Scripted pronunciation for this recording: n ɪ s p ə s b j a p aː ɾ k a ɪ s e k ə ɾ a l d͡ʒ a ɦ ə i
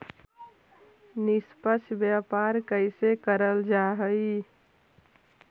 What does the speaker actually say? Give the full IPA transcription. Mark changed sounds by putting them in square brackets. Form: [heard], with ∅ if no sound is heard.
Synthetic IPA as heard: n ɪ s p ə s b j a p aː ɾ k [ə] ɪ s e k ə ɾ [ə] l d͡ʒ a ɦ ə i